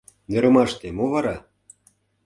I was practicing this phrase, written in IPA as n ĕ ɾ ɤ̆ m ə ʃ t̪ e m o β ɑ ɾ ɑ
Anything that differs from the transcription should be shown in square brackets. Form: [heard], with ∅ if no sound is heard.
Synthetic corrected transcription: n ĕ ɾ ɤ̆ m [ɑ] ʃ t̪ e m o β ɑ ɾ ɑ